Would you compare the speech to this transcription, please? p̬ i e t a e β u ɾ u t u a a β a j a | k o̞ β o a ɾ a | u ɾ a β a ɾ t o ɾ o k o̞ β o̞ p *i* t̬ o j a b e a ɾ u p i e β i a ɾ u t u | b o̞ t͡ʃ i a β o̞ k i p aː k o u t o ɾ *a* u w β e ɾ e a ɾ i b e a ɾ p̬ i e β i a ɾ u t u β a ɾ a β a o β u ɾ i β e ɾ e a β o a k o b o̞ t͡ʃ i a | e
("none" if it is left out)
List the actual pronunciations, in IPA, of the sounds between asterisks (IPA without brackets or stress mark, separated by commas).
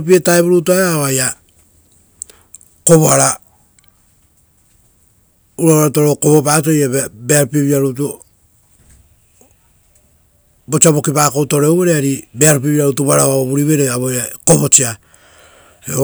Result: a, e